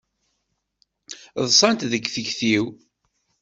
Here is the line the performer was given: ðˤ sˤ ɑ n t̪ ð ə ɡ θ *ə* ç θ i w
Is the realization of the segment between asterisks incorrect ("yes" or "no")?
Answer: no